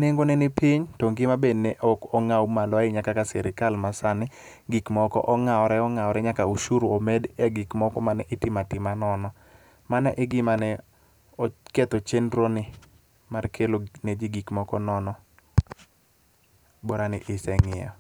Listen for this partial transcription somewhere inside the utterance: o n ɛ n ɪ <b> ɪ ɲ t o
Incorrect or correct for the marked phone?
incorrect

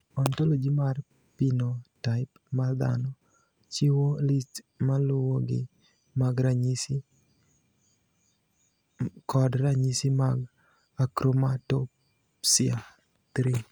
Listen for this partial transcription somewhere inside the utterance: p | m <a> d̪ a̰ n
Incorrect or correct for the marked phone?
correct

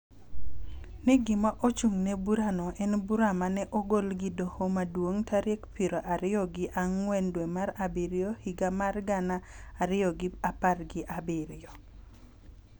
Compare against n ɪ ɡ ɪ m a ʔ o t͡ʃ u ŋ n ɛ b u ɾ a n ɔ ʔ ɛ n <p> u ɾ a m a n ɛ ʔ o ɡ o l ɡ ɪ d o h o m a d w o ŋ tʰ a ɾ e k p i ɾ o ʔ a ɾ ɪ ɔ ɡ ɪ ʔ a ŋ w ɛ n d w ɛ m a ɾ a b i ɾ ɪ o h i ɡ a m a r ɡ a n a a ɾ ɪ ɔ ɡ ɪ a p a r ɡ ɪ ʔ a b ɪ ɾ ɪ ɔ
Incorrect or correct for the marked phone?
incorrect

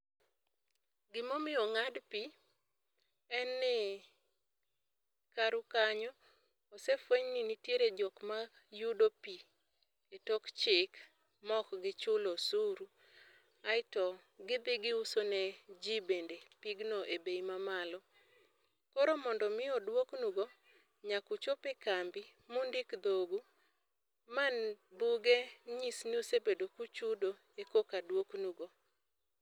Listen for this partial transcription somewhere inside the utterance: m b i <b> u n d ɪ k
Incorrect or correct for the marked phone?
incorrect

